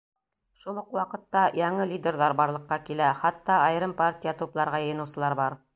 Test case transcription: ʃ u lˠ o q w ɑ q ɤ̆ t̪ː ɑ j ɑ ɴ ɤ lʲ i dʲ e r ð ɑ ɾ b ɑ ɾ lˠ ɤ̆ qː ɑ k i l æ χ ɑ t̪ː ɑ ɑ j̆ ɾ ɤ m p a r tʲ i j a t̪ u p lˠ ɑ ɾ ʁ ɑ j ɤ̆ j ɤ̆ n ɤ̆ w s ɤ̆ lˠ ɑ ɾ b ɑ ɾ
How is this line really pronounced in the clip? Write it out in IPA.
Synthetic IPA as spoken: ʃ u lˠ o q w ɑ q ɤ̆ t̪ː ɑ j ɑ ɴ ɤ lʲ i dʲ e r ð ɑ ɾ b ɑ ɾ lˠ ɤ̆ qː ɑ k i l æ χ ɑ t̪ː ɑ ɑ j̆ ɾ ɤ m p a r tʲ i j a t̪ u p lˠ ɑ ɾ ʁ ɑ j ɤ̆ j ɤ̆ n ɤ̆ w s ɤ̆ lˠ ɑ ɾ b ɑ ɾ